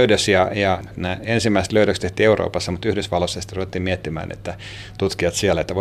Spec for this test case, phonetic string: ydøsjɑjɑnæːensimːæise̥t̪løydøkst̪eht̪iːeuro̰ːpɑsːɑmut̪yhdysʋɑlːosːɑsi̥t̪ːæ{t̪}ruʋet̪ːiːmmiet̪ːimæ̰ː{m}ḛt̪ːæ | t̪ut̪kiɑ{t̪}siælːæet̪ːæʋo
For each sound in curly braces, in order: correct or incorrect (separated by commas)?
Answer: incorrect, incorrect, correct